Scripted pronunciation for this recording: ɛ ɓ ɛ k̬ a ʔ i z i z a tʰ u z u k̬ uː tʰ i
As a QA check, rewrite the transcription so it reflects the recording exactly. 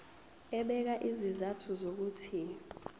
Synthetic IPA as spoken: ɛ ɓ ɛ k̬ a ʔ i z i z a tʰ u z o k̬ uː tʰ i